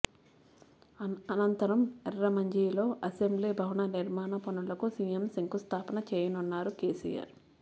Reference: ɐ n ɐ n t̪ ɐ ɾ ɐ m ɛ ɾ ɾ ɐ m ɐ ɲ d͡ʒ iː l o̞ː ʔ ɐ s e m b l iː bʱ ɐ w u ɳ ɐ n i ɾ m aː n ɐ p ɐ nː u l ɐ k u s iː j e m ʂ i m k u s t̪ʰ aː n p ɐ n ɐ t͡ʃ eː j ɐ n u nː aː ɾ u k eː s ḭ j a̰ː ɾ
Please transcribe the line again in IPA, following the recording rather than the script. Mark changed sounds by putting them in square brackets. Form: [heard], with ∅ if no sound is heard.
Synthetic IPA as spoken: ɐ n ɐ n t̪ ɐ ɾ ɐ m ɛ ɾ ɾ ɐ m ɐ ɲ d͡ʒ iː l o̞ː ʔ ɐ s e m b l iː bʱ ɐ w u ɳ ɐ n i ɾ m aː n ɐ p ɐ [n] u l ɐ k u s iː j e m [s] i [ŋ] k u s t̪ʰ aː [∅] p ɐ n ɐ t͡ʃ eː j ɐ n u nː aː ɾ u k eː s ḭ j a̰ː ɾ